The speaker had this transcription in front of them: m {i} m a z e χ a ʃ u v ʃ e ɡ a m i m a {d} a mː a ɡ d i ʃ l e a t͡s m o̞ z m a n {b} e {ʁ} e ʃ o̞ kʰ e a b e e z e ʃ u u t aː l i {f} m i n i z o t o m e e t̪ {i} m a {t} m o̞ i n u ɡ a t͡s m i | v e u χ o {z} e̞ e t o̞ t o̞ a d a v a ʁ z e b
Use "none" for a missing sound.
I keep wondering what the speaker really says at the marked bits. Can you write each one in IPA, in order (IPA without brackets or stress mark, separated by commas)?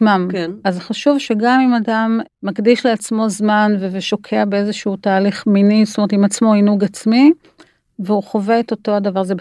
a, d, v, v, χ, i, t͡s, v